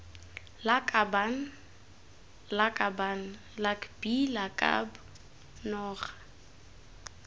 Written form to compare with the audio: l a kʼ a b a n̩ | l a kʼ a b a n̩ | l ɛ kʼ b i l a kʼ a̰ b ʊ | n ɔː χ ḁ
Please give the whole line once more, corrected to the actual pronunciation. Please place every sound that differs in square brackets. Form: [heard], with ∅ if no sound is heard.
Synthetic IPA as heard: l a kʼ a b a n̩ | l a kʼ a b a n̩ | l [a] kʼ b i l a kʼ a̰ b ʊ | n ɔː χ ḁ